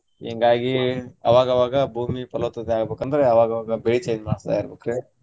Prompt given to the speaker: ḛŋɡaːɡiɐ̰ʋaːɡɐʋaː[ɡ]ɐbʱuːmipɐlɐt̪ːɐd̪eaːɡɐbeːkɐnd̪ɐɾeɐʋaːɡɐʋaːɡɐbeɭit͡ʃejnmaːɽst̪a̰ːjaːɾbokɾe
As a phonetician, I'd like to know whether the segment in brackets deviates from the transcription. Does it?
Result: no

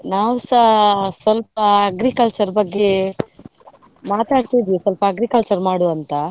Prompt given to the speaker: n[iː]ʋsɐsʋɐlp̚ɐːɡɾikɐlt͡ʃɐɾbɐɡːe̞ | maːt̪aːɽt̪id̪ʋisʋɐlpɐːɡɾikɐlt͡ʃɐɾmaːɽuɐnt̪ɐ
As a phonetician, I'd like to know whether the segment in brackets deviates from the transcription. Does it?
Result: yes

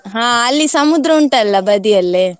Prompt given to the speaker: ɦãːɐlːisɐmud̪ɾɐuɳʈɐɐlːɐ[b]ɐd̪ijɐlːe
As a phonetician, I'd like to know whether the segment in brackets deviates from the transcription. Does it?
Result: no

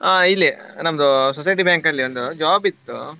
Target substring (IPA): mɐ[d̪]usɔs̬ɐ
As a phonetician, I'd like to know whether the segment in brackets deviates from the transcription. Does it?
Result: no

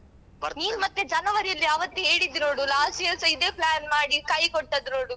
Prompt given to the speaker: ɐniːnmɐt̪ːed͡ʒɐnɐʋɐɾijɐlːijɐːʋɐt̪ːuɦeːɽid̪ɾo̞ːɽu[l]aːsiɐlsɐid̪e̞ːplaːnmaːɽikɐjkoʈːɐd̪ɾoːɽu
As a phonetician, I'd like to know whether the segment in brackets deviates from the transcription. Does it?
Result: no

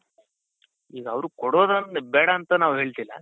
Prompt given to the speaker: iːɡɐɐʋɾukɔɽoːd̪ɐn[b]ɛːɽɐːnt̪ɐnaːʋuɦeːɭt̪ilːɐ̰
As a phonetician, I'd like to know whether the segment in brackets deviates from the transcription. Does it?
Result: no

